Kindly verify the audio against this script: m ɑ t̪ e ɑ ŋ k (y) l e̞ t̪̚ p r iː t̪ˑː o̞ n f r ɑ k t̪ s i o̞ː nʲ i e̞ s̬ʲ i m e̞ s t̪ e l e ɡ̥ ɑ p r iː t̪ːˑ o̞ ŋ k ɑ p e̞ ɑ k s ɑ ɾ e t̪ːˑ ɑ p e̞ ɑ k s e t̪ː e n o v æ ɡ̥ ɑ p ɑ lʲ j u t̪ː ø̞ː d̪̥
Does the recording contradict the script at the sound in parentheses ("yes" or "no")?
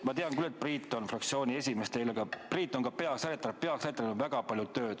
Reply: no